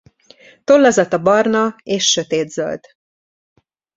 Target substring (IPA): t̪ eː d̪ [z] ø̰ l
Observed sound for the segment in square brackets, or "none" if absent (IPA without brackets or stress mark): z